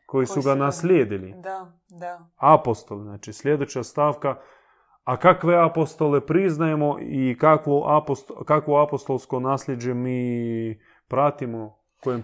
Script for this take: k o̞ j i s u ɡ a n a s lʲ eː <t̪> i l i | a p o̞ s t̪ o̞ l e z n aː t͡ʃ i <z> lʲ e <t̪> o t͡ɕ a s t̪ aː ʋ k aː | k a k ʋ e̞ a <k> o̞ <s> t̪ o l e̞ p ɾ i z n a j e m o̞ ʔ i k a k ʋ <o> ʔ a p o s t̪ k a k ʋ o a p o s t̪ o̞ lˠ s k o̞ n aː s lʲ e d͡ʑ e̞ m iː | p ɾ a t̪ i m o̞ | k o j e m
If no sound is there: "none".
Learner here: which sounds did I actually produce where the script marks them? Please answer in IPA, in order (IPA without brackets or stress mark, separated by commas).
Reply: d̪, s, d̪, p, s, o